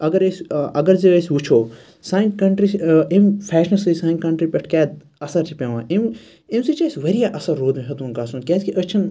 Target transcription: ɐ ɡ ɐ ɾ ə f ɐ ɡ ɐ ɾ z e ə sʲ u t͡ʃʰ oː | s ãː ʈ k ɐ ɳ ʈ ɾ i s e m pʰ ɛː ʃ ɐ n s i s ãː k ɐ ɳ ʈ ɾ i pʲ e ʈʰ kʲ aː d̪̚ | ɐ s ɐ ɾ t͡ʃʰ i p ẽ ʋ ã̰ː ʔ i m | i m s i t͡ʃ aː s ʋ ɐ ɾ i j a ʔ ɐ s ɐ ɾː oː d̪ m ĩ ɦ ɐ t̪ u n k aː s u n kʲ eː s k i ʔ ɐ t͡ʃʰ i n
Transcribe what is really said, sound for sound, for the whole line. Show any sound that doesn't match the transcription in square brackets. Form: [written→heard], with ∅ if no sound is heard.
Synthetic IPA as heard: ɐ ɡ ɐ ɾ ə [f→s] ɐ ɡ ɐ ɾ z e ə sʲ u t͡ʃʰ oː | s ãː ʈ k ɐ ɳ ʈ ɾ i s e m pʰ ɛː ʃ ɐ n s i s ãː k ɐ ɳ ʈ ɾ i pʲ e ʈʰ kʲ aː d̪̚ | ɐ s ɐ ɾ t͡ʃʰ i p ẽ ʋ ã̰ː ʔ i m | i m s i t͡ʃ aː s ʋ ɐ ɾ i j a ʔ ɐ s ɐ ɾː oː d̪ m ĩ ɦ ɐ t̪ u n k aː s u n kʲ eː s k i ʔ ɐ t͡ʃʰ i n